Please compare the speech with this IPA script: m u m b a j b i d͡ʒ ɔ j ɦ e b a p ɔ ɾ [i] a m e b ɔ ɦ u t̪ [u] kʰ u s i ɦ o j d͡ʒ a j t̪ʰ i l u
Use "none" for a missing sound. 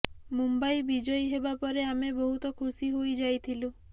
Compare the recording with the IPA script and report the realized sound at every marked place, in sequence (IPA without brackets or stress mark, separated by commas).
e, ɔ